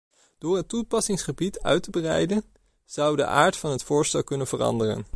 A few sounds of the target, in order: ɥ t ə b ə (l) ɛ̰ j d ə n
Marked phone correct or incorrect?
incorrect